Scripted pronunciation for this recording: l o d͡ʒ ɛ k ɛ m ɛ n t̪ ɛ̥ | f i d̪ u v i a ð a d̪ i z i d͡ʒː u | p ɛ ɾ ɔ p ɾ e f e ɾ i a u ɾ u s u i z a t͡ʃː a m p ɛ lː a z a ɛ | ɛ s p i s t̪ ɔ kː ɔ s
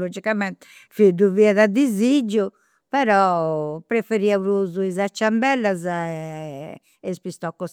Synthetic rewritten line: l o d͡ʒ i k a m ɛ n t̪ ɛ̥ | f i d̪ u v i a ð a d̪ i z i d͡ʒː u | p ɛ ɾ ɔ p ɾ e f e ɾ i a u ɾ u z u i z a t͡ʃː a m b ɛ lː a z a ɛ | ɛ s p i s t̪ ɔ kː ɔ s